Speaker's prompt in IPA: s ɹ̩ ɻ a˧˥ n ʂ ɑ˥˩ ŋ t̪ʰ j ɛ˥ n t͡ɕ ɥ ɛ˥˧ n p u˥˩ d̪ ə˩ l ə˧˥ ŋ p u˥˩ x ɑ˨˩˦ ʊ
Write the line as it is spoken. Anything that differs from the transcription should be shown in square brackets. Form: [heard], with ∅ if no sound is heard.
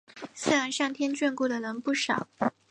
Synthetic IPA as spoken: s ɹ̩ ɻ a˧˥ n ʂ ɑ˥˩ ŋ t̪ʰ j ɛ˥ n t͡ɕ ɥ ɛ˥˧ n [k] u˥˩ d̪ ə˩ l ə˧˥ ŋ p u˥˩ [ʂ] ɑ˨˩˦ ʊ